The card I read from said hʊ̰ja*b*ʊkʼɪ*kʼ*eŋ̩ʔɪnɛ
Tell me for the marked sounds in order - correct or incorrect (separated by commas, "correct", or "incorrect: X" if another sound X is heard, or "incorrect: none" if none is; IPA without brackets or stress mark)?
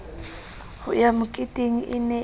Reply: incorrect: m, incorrect: tʼ